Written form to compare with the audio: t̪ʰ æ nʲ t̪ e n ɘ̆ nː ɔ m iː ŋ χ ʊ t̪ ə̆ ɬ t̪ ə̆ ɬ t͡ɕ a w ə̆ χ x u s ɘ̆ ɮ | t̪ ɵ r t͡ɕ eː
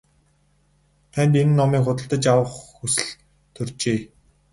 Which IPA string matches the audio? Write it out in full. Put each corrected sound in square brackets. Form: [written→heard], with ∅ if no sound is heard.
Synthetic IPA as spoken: t̪ʰ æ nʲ t̪ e n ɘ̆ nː ɔ m iː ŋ χ ʊ t̪ ə̆ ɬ t̪ ə̆ [ɬ→∅] t͡ɕ a w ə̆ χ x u s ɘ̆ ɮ | [t̪→t̪ʰ] ɵ r t͡ɕ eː